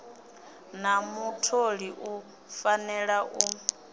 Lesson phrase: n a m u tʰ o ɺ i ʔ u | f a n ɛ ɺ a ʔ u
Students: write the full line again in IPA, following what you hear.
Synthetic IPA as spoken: n a m u tʰ o ɺ i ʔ u | f a n ɛ ɺ a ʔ u